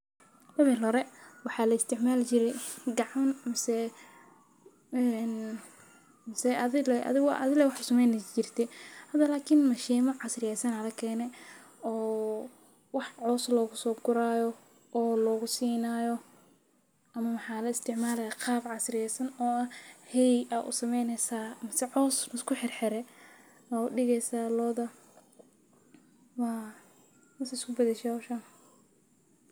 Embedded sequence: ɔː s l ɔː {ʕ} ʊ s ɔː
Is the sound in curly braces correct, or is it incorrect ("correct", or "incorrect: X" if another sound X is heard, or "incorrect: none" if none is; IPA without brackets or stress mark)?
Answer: incorrect: ɣ